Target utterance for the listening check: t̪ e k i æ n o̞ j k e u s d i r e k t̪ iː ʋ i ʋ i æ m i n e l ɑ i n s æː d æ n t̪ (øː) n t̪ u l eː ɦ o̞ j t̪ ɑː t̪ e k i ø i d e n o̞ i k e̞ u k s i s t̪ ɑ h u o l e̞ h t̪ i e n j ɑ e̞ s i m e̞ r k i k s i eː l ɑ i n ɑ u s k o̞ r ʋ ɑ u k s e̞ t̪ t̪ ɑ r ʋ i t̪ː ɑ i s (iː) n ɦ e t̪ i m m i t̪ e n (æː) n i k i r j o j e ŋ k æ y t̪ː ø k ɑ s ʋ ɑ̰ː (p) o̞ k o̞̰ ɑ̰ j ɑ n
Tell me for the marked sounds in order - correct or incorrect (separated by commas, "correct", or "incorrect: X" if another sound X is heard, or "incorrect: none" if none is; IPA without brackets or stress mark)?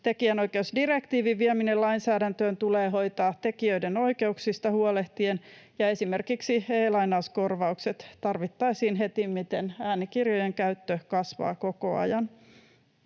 correct, correct, correct, incorrect: k